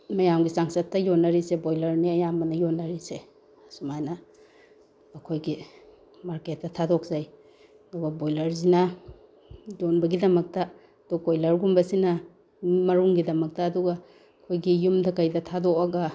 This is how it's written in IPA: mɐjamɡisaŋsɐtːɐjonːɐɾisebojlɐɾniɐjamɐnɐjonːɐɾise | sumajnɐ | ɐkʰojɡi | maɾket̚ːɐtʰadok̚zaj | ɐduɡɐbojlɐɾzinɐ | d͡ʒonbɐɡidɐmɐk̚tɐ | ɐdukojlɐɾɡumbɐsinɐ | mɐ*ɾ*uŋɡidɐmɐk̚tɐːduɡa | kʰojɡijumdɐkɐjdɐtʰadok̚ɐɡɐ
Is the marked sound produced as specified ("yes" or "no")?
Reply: yes